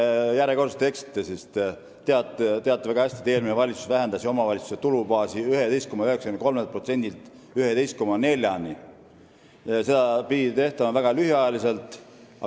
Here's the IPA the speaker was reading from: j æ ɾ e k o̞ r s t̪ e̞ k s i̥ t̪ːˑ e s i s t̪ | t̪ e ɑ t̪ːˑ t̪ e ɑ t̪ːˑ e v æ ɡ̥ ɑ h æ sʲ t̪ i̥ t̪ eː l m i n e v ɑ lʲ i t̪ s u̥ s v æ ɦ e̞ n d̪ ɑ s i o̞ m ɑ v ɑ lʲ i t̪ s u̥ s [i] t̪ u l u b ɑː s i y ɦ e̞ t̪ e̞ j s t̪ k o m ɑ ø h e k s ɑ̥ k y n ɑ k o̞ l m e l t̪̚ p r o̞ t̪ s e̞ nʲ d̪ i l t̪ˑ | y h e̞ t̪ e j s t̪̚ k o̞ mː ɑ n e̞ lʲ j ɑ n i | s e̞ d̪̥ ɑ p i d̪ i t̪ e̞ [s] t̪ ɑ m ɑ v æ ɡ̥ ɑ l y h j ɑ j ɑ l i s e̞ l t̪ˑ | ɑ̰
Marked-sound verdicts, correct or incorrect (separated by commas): incorrect, incorrect